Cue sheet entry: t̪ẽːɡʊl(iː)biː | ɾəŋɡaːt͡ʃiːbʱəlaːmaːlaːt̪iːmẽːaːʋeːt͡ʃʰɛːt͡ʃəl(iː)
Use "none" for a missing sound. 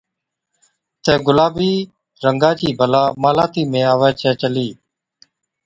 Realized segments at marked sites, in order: aː, iː

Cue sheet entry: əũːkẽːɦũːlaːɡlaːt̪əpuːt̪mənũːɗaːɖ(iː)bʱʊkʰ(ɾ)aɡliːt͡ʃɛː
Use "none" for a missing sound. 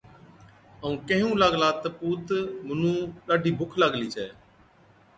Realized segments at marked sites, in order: iː, l

